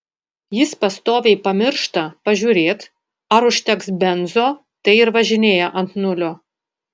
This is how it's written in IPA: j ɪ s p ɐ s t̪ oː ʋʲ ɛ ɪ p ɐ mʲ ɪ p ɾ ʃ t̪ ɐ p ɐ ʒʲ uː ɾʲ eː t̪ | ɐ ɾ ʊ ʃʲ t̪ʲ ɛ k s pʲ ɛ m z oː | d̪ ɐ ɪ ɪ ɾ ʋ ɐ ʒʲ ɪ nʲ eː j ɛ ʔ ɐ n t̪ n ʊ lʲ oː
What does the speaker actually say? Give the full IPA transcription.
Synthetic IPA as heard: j ɪ s p ɐ s t̪ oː ʋʲ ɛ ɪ p ɐ mʲ ɪ ɾ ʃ t̪ ɐ p ɐ ʒʲ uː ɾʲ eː t̪ | ɐ ɾ ʊ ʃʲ t̪ʲ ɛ k s bʲ ɛ n z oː | t̪ ɐ ɪ ɪ ɾ ʋ ɐ ʒʲ ɪ nʲ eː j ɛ ʔ ɐ n t̪ n ʊ lʲ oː